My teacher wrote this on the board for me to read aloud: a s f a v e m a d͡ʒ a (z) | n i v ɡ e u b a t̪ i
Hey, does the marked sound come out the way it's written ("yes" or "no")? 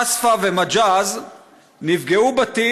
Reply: yes